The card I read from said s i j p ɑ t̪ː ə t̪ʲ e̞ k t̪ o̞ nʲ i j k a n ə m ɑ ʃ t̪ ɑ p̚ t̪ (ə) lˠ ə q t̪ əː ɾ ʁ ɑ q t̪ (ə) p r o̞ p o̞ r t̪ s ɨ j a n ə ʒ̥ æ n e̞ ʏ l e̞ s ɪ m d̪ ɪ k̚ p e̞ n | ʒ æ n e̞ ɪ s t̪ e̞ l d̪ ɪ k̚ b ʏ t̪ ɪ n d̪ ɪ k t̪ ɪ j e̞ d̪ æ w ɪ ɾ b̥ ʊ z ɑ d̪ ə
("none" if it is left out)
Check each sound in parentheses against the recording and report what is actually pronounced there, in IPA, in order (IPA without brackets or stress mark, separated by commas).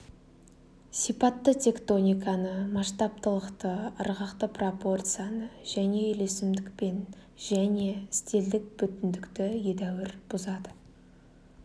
ə, ə